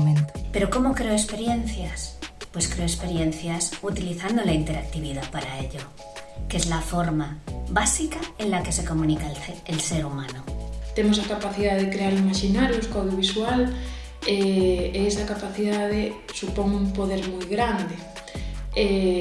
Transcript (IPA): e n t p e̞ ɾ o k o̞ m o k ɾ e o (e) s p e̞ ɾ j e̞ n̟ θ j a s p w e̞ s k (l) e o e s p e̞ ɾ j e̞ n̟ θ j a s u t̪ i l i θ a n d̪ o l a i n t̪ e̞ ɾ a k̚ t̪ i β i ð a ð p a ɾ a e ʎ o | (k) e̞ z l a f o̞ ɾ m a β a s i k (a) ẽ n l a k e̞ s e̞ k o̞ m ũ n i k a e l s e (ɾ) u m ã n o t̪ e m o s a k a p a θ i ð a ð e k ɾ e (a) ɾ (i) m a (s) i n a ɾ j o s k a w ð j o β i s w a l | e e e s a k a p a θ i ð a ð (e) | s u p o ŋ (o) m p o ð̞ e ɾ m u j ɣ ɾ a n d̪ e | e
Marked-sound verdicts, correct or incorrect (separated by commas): correct, incorrect, correct, correct, correct, correct, correct, incorrect, correct, incorrect